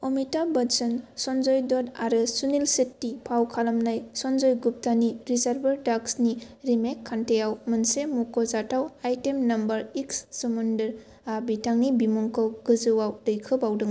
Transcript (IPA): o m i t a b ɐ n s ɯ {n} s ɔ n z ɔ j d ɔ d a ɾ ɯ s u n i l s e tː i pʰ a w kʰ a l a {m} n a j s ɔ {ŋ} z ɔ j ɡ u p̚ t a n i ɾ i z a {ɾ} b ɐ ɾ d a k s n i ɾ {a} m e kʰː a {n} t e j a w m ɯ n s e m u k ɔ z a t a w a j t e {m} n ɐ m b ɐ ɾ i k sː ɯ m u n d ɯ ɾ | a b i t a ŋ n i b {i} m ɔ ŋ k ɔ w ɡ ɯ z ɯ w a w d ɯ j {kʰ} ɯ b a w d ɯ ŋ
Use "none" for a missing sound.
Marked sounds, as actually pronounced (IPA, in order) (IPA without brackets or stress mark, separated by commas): n, m, n, ɾ, i, n, m, i, kʰ